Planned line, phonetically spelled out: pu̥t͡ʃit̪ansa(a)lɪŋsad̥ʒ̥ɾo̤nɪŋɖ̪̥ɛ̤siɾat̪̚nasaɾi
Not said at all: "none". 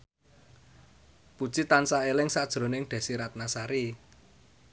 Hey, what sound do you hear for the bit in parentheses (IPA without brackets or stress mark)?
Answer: e